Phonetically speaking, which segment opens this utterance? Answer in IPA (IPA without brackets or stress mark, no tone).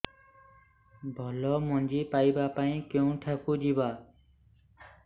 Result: bʱ